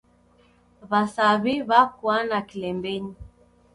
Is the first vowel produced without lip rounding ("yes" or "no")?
yes